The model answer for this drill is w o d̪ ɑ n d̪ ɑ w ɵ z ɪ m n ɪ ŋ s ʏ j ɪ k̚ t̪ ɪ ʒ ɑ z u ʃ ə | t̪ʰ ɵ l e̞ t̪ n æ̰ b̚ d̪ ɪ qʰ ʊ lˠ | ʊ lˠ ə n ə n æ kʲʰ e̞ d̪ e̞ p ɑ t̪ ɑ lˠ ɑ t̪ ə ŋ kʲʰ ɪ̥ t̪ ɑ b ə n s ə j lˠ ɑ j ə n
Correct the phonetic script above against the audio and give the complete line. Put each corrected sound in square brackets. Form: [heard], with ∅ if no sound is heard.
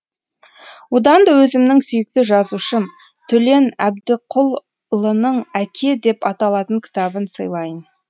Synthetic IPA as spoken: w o d̪ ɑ n d̪ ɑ w ɵ z ɪ m n ɪ ŋ s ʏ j ɪ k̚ t̪ ɪ ʒ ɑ z u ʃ ə | t̪ʰ ɵ l e̞ [∅] n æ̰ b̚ d̪ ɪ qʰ ʊ lˠ | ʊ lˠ ə n ə [ɴ] æ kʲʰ e̞ d̪ e̞ p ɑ t̪ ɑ lˠ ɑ t̪ ə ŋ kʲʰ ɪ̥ t̪ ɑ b ə n s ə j lˠ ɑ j ə n

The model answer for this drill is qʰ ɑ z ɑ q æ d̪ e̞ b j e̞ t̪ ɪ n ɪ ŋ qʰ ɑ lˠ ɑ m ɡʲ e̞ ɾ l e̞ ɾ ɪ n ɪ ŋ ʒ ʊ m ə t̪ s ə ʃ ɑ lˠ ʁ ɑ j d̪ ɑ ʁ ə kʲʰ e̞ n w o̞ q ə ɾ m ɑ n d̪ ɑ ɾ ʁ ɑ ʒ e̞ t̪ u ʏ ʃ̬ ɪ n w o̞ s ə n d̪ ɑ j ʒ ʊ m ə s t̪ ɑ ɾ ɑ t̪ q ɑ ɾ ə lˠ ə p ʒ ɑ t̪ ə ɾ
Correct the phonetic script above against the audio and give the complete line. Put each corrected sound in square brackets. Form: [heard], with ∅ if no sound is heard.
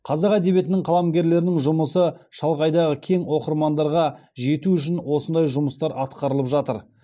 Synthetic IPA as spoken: qʰ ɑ z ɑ q æ d̪ e̞ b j e̞ t̪ ɪ n ɪ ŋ qʰ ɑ lˠ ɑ m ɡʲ e̞ ɾ l e̞ ɾ ɪ n ɪ ŋ ʒ ʊ m ə [∅] s ə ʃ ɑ lˠ ʁ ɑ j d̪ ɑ ʁ ə kʲʰ e̞ [ŋ] w o̞ q ə ɾ m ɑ n d̪ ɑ ɾ ʁ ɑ ʒ e̞ t̪ u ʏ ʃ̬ ɪ n w o̞ s ə n d̪ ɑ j ʒ ʊ m ə s t̪ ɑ ɾ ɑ t̪ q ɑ ɾ ə lˠ ə p ʒ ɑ t̪ ə ɾ

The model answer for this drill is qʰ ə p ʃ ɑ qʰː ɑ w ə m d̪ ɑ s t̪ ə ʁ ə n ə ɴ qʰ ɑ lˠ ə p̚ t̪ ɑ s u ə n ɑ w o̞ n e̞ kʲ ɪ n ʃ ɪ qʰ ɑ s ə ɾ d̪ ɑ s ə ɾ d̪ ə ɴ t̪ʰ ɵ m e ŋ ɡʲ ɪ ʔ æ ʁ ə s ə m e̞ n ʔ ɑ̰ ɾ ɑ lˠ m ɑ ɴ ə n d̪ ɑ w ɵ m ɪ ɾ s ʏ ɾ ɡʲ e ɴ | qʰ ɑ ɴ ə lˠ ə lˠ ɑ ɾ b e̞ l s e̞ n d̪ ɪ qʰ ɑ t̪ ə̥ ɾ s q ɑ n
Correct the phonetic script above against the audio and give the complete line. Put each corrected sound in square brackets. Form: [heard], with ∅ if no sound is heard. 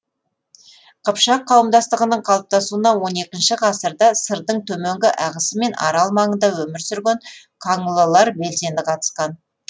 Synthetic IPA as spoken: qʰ ə p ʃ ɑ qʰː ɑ w ə m d̪ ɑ s t̪ ə ʁ ə n ə ɴ qʰ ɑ lˠ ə p̚ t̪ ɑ s u ə n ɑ w o̞ n e̞ kʲ ɪ n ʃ ɪ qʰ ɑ s ə ɾ d̪ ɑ s ə ɾ d̪ ə ɴ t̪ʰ ɵ m e ŋ ɡʲ ɪ ʔ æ ʁ ə s ə m e̞ n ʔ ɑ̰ ɾ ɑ lˠ m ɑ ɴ ə n d̪ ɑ w ɵ m ɪ ɾ s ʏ ɾ ɡʲ e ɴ | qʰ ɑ ɴ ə lˠ ə lˠ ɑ ɾ b e̞ l s e̞ n d̪ ɪ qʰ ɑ t̪ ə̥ [∅] s q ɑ n

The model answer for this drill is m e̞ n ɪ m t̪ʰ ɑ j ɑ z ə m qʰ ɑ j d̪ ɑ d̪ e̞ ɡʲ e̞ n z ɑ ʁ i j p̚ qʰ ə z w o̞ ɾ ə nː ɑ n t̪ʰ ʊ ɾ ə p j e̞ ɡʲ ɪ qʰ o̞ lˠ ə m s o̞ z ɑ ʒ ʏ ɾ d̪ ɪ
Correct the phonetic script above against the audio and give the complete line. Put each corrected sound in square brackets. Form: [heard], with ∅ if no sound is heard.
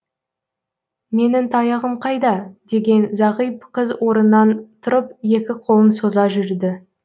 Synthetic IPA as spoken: m e̞ n ɪ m t̪ʰ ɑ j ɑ [ʁ] ə m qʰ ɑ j d̪ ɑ d̪ e̞ ɡʲ e̞ n z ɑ ʁ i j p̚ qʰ ə z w o̞ ɾ ə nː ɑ n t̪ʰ ʊ ɾ ə p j e̞ [kʲ] ɪ qʰ o̞ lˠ ə m s o̞ z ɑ ʒ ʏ ɾ d̪ ɪ

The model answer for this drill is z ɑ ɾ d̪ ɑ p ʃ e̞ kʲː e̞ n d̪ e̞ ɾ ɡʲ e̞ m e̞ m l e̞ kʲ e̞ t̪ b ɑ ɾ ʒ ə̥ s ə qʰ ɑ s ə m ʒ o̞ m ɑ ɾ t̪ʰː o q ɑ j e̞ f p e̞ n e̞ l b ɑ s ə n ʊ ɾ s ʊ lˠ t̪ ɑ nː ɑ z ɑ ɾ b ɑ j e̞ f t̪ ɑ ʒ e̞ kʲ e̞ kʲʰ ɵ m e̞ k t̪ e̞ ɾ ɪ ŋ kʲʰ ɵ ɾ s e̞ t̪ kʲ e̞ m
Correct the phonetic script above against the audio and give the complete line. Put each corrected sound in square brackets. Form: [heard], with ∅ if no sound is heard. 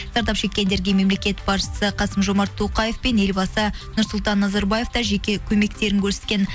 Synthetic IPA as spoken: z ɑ ɾ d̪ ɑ p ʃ e̞ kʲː e̞ n d̪ e̞ ɾ ɡʲ e̞ m e̞ m l e̞ kʲ e̞ t̪ b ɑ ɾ [ʃ] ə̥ s ə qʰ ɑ s ə m ʒ o̞ m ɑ ɾ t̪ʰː o q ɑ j e̞ f p e̞ n e̞ l b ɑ s ə n ʊ ɾ s ʊ lˠ t̪ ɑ nː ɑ z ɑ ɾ b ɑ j e̞ f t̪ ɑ ʒ e̞ kʲ e̞ kʲʰ ɵ m e̞ k t̪ e̞ ɾ ɪ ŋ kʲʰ ɵ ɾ s e̞ t̪ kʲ e̞ [n]

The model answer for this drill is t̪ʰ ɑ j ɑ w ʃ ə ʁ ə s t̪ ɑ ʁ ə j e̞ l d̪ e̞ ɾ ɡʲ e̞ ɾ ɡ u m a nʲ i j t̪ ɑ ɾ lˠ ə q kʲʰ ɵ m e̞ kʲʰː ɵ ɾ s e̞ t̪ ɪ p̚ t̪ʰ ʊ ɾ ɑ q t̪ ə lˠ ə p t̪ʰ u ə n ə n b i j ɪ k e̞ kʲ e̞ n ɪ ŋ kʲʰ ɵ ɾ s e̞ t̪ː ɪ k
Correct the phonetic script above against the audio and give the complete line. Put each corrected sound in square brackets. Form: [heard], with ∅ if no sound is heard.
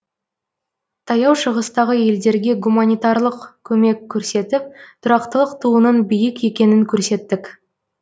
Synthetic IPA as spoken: t̪ʰ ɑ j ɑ w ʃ ə ʁ ə s t̪ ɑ ʁ ə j e̞ l d̪ e̞ ɾ ɡʲ e̞ [∅] ɡ u m a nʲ i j t̪ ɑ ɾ lˠ ə q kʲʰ ɵ m e̞ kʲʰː ɵ ɾ s e̞ t̪ ɪ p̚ t̪ʰ ʊ ɾ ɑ q t̪ ə lˠ ə [q] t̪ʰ u ə n ə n b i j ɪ k e̞ kʲ e̞ n ɪ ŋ kʲʰ ɵ ɾ s e̞ t̪ː ɪ k

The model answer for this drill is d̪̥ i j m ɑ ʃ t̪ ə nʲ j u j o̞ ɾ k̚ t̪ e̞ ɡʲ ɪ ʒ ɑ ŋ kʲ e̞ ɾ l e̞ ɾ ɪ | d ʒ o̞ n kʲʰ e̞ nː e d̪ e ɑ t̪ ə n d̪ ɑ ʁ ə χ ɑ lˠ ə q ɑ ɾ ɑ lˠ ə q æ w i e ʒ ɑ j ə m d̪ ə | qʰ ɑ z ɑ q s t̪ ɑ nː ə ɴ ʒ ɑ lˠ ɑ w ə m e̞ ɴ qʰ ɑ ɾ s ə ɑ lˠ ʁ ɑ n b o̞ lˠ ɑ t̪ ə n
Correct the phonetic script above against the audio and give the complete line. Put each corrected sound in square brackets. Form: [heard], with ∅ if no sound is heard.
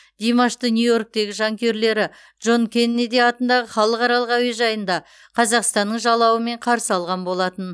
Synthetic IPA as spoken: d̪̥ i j m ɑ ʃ t̪ ə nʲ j u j o̞ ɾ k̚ t̪ e̞ ɡʲ ɪ ʒ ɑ ŋ kʲ e̞ ɾ l e̞ ɾ ɪ | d ʒ o̞ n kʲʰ e̞ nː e d̪ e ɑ t̪ ə n d̪ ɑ ʁ ə χ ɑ lˠ ə q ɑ ɾ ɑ lˠ ə q æ w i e ʒ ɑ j ə [n] d̪ [ɑ] | qʰ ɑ z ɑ q s t̪ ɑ nː ə ɴ ʒ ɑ lˠ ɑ w ə m e̞ ɴ qʰ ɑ ɾ s ə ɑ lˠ ʁ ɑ n b o̞ lˠ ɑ t̪ ə n

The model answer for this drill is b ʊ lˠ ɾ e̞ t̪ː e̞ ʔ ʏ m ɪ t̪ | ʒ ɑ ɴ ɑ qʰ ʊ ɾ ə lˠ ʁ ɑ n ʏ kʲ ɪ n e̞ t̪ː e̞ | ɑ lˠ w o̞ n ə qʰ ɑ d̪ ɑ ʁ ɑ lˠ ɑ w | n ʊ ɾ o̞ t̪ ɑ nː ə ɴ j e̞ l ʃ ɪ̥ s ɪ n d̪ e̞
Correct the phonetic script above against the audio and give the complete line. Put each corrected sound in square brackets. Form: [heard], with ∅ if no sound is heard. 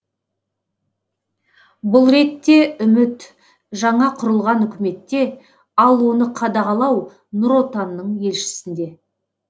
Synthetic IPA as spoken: b ʊ lˠ ɾ e̞ t̪ː e̞ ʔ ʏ m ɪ t̪ | ʒ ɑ ɴ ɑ qʰ ʊ ɾ ə lˠ ʁ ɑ n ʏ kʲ ɪ [m] e̞ t̪ː e̞ | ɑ lˠ w o̞ n ə qʰ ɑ d̪ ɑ ʁ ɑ lˠ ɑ w | n ʊ ɾ o̞ t̪ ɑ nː ə ɴ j e̞ l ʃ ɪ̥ s ɪ n d̪ e̞

